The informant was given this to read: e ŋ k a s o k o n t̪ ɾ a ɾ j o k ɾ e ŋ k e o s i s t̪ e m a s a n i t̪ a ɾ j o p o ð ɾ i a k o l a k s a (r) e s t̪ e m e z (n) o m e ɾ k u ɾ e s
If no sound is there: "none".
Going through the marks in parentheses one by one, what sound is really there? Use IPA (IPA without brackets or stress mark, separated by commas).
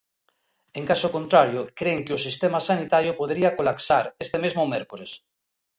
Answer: ɾ, m